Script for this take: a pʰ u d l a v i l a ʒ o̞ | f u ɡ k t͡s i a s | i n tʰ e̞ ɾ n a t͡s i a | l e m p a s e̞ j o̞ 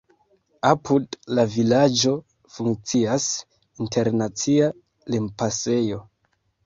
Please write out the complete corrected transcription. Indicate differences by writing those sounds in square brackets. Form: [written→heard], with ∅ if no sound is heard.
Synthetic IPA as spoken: a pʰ u d l a v i l a [ʒ→d͡ʒ] o̞ | f u [ɡ→ŋ] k t͡s i a s | i n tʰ e̞ ɾ n a t͡s i a | l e m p a s e̞ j o̞